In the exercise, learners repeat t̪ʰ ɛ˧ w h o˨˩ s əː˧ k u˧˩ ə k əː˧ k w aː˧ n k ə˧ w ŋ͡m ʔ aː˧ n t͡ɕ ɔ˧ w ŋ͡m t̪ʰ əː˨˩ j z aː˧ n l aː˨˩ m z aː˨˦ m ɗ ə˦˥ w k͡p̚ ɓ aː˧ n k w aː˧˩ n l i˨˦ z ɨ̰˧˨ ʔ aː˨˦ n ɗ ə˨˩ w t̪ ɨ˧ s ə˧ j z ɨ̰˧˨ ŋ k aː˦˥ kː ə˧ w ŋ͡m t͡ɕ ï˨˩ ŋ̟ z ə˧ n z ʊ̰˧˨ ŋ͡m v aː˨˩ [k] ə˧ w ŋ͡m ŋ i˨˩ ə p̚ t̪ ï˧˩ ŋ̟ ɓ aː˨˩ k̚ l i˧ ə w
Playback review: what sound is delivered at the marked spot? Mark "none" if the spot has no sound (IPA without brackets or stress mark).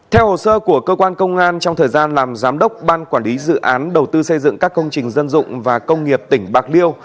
k